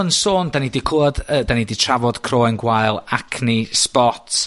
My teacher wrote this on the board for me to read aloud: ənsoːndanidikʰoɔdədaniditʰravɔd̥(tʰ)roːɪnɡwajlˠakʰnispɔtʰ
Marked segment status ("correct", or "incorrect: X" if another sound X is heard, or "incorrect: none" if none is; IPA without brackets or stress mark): incorrect: kʰ